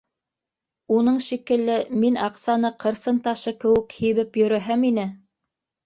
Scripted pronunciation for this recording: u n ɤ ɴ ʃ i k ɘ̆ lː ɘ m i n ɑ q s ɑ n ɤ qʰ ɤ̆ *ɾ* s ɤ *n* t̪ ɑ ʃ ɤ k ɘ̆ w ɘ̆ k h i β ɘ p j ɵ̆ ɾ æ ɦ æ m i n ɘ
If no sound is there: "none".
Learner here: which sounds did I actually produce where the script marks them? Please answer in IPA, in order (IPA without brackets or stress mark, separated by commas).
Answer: ɾ, n